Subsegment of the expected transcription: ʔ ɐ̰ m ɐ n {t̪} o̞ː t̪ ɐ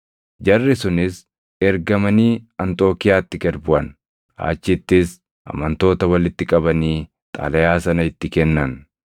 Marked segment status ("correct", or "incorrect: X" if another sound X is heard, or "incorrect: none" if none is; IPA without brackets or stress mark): correct